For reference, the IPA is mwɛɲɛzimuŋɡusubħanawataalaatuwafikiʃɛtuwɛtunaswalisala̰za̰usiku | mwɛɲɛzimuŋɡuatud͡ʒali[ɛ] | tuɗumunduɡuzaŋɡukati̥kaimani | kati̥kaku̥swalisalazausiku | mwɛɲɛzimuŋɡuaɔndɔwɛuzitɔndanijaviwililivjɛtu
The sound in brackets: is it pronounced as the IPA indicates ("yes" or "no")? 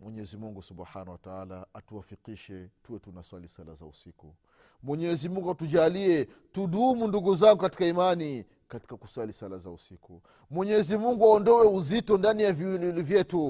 yes